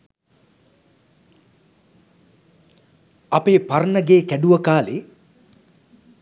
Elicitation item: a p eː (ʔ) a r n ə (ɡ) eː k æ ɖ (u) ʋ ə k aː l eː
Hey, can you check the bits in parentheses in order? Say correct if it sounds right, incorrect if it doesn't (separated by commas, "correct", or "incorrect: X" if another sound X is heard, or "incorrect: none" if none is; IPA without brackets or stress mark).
incorrect: p, correct, correct